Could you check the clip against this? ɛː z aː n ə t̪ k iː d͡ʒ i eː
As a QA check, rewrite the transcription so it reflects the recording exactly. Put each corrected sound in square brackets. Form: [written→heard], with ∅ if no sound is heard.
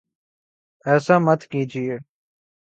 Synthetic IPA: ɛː [z→s] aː [n→m] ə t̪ k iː d͡ʒ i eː